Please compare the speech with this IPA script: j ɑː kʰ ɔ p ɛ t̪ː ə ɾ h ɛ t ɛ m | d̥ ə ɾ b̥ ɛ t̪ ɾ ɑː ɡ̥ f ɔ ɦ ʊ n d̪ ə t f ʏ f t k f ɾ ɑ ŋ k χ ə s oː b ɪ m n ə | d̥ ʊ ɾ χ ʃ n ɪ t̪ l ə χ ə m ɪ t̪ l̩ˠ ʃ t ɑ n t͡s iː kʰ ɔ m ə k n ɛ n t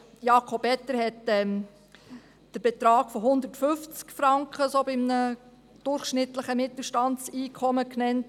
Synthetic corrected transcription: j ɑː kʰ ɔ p ɛ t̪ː ə ɾ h ɛ t ɛ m | d̥ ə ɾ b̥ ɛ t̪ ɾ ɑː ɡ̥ f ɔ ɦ ʊ n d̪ ə t f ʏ f t͡s k f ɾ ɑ ŋ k χ ə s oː b ɪ m n ə | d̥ ʊ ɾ χ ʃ n ɪ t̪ l ə χ ə m ɪ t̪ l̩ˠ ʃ t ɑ n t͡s iː kʰ ɔ m ə k n ɛ n t